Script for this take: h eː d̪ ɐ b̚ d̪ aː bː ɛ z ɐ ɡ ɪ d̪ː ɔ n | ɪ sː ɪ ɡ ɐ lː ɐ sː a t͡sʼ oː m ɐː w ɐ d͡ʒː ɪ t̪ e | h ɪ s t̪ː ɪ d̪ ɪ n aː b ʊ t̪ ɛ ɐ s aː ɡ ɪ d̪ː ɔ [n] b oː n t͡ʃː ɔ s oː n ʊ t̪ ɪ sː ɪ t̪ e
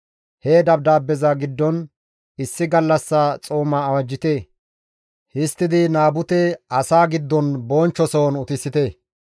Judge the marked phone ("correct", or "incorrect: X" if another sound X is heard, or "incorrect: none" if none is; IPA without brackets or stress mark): correct